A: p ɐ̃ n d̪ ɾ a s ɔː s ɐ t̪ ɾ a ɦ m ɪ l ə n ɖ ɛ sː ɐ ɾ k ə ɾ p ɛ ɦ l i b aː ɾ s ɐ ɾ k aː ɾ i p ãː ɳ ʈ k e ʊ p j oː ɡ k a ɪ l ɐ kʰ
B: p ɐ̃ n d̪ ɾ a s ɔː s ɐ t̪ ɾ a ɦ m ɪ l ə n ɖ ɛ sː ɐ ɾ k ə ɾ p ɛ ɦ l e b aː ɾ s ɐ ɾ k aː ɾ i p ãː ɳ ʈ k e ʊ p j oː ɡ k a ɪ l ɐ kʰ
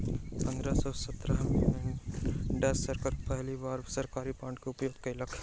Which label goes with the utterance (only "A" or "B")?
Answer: A